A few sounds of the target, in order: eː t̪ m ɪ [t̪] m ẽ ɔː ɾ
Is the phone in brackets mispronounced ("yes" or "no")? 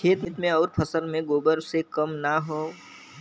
no